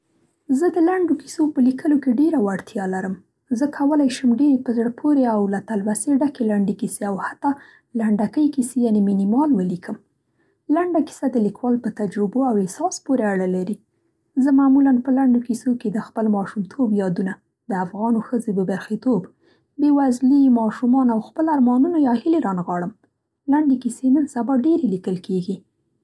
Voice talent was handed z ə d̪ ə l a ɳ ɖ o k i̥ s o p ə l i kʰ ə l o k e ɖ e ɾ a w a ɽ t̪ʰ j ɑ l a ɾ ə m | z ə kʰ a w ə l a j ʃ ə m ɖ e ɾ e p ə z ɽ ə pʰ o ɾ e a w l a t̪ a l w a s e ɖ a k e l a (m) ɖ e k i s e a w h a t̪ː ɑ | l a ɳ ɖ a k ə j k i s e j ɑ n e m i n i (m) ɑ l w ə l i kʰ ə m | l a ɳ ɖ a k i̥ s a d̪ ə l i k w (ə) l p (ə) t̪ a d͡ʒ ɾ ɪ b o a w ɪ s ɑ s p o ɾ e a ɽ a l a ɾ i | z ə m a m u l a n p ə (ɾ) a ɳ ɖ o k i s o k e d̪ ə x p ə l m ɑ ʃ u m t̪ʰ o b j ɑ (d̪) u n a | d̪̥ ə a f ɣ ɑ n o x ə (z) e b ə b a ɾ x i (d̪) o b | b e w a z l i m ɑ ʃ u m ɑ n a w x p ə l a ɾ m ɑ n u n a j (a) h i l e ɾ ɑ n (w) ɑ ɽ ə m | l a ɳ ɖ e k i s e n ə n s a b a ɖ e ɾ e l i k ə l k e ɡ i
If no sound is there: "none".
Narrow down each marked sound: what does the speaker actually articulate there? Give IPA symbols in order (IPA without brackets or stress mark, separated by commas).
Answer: ɳ, m, ɑ, ə, l, d̪, z, t̪, ɑ, ɣ